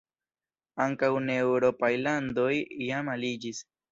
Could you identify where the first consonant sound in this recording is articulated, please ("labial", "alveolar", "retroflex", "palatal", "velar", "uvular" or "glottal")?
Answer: velar